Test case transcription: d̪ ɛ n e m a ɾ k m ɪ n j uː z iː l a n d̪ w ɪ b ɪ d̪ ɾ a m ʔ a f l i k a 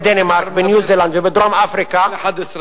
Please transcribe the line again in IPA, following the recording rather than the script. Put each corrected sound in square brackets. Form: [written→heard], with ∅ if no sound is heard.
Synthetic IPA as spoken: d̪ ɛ n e m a ɾ k [m→b] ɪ n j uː z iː l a n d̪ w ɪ b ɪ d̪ ɾ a m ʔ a f [l→ɾ] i k a